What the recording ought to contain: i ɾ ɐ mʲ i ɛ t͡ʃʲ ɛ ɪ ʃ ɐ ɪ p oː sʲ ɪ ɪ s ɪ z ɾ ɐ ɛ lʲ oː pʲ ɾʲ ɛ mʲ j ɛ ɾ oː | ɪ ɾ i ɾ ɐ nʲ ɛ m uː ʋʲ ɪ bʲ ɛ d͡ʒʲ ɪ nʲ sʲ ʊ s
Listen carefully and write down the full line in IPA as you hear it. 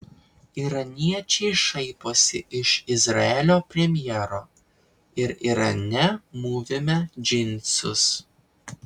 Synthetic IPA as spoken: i ɾ ɐ nʲ i ɛ t͡ʃʲ ɛ ɪ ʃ ɐ ɪ p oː sʲ ɪ ɪ ʃ ɪ z ɾ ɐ ɛ lʲ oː pʲ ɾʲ ɛ mʲ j ɛ ɾ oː | ɪ ɾ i ɾ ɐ nʲ ɛ m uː ʋʲ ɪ mʲ ɛ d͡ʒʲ ɪ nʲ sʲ ʊ s

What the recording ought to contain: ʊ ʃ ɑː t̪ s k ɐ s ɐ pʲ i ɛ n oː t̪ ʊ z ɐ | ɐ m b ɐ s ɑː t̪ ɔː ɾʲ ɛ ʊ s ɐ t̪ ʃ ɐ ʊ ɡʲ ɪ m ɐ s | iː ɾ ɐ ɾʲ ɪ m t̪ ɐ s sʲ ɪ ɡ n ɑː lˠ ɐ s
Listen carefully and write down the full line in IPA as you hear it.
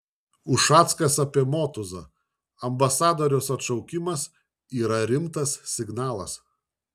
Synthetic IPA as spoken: ʊ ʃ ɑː t̪ s k ɐ s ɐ pʲ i ɛ m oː t̪ ʊ z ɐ | ɐ m b ɐ s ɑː d̪ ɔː ɾʲ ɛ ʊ s ɐ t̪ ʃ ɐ ʊ kʲ ɪ m ɐ s | iː ɾ ɐ ɾʲ ɪ m t̪ ɐ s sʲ ɪ ɡ n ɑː lˠ ɐ s

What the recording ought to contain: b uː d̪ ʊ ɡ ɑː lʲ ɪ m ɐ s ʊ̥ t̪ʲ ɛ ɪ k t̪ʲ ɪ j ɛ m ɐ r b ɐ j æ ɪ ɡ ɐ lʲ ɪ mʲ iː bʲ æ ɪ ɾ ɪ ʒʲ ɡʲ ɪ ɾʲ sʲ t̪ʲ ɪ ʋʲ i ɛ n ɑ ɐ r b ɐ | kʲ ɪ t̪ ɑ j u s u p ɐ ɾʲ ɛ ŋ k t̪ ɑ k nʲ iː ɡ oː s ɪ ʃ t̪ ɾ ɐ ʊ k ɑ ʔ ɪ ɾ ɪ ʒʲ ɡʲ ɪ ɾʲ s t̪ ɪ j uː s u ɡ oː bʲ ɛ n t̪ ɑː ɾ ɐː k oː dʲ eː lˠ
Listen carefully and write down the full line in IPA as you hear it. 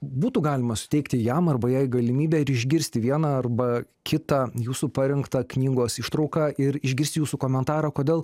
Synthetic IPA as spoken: b uː t̪ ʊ ɡ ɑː lʲ ɪ m ɐ s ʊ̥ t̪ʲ ɛ ɪ k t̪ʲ ɪ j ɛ m ɐ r b ɐ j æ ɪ ɡ ɐ lʲ ɪ mʲ iː bʲ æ ɪ ɾ ɪ ʒʲ ɡʲ ɪ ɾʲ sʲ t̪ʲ ɪ ʋʲ i ɛ n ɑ ɐ r b ɐ | kʲ ɪ t̪ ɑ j uː s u p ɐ ɾʲ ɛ ŋ k t̪ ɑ k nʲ iː ɡ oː s ɪ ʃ t̪ ɾ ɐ ʊ k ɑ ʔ ɪ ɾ ɪ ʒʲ ɡʲ ɪ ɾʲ s t̪ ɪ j uː s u k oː mʲ ɛ n t̪ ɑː ɾ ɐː k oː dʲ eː lˠ

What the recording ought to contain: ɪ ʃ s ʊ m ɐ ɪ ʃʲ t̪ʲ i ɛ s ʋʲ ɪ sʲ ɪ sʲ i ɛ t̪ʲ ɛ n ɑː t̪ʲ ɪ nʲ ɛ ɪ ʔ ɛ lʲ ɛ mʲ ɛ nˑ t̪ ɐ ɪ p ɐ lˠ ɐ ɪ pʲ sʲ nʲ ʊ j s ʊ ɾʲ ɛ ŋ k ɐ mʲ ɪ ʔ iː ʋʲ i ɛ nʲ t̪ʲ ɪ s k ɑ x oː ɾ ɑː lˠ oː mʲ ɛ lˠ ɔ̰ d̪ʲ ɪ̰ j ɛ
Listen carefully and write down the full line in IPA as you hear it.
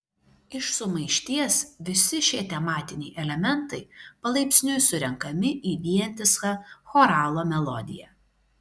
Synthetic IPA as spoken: ɪ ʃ s ʊ m ɐ ɪ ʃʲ t̪ʲ i ɛ s ʋʲ ɪ sʲ ɪ ʃʲ i ɛ t̪ʲ ɛ m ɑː t̪ʲ ɪ nʲ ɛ ɪ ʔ ɛ lʲ ɛ mʲ ɛ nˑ t̪ ɐ ɪ p ɐ lˠ ɐ ɪ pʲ sʲ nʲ ʊ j s ʊ ɾʲ ɛ ŋ k ɐ mʲ ɪ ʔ iː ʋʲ i ɛ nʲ t̪ʲ ɪ s k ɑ x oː ɾ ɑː lˠ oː mʲ ɛ lˠ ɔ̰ d̪ʲ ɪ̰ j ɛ

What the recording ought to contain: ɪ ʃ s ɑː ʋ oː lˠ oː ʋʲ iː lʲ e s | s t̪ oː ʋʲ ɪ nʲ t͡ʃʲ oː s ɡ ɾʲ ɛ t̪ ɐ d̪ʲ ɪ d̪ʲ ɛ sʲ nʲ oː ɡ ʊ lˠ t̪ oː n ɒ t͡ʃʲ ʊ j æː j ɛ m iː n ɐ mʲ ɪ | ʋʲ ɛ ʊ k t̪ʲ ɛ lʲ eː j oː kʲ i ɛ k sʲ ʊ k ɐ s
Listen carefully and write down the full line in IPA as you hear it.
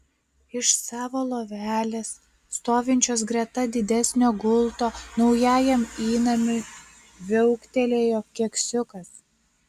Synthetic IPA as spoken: ɪ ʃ s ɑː ʋ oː lˠ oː ʋʲ æː lʲ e s | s t̪ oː ʋʲ ɪ nʲ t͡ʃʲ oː s ɡ ɾʲ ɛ t̪ ɐ d̪ʲ ɪ d̪ʲ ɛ sʲ nʲ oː ɡ ʊ lˠ t̪ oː n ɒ ʊ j æː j ɛ m iː n ɐ mʲ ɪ | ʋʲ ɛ ʊ k t̪ʲ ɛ lʲ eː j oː kʲ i ɛ k sʲ ʊ k ɐ s

